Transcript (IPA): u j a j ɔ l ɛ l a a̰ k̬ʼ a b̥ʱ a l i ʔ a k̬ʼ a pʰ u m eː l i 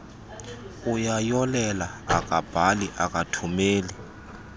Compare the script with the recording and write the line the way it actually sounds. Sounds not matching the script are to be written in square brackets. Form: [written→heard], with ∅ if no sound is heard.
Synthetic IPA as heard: u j a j ɔ l ɛ l a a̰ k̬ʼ a b̥ʱ a l i ʔ a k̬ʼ a [pʰ→tʰ] u m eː l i